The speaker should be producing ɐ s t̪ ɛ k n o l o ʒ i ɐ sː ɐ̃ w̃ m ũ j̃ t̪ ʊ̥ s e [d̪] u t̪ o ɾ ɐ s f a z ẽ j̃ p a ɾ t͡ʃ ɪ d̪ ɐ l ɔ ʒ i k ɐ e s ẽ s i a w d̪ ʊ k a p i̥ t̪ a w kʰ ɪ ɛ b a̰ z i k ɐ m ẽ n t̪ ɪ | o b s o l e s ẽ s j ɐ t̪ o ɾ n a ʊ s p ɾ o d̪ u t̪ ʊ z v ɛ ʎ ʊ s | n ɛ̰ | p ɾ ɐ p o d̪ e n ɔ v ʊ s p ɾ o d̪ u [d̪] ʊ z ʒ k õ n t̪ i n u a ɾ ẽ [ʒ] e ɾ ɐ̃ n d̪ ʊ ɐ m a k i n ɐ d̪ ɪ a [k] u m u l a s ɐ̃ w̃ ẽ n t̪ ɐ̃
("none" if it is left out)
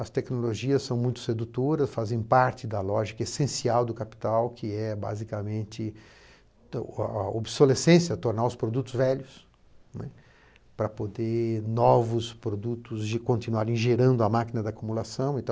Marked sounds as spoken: d̪, t̪, ʒ, k

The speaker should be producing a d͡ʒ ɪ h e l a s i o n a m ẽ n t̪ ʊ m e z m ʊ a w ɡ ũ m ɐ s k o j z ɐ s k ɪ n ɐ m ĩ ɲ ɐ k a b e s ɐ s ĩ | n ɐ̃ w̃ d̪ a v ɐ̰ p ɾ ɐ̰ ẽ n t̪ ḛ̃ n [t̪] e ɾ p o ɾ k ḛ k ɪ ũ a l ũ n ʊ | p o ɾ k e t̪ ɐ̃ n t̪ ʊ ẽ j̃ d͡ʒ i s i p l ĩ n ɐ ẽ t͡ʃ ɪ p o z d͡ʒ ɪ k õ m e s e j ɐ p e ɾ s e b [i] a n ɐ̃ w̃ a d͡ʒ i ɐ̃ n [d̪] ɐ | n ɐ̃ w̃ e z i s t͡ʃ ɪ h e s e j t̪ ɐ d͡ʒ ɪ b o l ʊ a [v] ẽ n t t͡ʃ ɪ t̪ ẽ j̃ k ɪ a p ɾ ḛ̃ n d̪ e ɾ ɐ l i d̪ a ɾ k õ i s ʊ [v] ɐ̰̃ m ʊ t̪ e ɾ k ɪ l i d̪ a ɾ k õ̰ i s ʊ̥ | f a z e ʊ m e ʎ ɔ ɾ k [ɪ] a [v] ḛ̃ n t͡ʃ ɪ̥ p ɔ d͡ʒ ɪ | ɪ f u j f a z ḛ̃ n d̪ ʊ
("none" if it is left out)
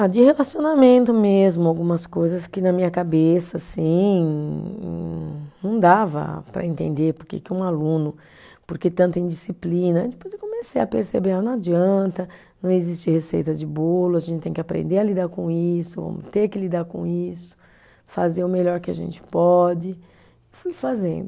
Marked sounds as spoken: d̪, e, t̪, ʒ, v, ɪ, ʒ

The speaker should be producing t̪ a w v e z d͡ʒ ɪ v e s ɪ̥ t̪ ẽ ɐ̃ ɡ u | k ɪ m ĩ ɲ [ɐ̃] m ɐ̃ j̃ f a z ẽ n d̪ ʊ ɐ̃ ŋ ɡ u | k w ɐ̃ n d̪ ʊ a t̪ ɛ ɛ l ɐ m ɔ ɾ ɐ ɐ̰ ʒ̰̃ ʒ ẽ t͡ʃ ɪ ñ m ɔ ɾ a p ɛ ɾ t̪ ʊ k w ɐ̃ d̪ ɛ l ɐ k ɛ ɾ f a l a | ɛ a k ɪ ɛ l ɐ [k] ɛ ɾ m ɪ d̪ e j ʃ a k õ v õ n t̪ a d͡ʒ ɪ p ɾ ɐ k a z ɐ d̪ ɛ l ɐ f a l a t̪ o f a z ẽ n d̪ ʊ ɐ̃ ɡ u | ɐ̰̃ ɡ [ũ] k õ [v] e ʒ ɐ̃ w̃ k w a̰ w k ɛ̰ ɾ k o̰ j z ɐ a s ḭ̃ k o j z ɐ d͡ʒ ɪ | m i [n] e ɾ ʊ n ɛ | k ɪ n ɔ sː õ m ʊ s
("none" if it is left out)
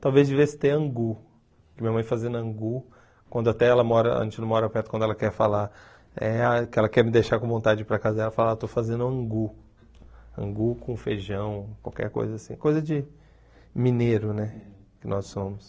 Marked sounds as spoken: ɐ, k, u, f, n

